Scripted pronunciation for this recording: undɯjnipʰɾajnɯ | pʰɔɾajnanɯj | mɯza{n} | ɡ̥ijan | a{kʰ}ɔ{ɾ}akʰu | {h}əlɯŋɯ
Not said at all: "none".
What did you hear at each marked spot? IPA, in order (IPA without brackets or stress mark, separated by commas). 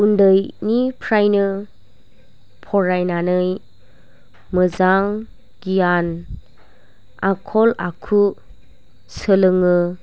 ŋ, kʰ, l, s